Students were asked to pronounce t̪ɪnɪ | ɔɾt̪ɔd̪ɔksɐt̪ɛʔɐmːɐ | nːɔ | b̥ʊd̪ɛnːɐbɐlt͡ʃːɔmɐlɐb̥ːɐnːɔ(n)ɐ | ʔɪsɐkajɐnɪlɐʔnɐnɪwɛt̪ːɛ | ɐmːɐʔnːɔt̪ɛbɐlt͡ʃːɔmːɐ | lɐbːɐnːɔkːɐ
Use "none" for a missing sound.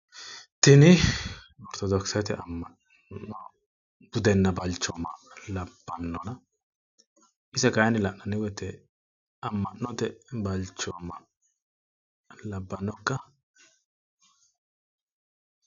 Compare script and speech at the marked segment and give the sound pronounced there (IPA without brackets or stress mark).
n